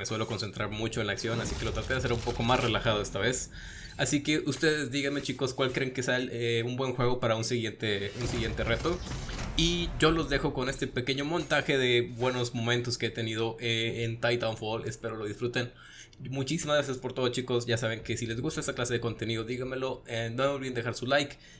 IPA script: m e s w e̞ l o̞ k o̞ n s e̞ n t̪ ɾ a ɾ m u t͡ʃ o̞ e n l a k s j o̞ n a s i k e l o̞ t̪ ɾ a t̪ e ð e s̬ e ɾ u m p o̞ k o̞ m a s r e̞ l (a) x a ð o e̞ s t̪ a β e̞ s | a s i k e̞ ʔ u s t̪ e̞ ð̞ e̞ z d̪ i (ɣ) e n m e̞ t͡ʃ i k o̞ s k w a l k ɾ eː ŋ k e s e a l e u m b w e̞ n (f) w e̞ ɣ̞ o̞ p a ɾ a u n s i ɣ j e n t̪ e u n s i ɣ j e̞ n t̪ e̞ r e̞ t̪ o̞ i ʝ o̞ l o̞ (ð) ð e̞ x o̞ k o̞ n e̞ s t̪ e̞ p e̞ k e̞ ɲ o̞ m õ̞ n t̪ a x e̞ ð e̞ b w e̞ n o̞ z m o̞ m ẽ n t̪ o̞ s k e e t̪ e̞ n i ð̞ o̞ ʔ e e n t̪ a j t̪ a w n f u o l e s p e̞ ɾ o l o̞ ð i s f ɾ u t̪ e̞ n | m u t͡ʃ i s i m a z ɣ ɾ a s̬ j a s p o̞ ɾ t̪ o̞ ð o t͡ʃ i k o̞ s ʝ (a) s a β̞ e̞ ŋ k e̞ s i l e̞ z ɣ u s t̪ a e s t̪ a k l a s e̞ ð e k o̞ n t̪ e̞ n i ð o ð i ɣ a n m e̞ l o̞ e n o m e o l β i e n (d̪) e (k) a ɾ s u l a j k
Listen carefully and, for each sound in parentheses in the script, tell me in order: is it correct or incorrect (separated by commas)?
correct, correct, incorrect, incorrect, correct, correct, incorrect